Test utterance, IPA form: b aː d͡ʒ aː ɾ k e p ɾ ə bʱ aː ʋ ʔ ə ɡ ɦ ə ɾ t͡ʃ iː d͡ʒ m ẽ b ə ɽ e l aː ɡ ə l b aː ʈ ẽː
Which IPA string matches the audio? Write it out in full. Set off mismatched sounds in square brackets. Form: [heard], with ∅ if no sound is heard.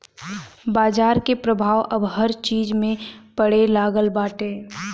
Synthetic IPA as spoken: b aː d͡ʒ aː ɾ k e p ɾ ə bʱ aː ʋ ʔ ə [b] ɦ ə ɾ t͡ʃ iː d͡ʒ m ẽ [p] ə ɽ e l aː ɡ ə l b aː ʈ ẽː